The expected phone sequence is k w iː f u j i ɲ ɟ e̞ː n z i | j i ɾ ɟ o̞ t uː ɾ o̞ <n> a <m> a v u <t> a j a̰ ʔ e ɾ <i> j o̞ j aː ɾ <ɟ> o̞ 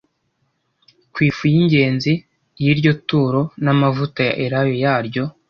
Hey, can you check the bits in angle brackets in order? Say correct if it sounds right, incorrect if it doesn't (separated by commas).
correct, correct, correct, incorrect, correct